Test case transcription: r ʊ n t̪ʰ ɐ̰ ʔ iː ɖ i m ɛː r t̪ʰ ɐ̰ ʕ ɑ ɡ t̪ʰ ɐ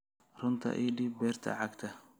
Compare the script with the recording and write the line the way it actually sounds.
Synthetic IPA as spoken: r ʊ n t̪ʰ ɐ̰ ʔ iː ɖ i b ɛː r t̪ʰ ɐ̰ ʕ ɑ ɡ t̪ʰ ɐ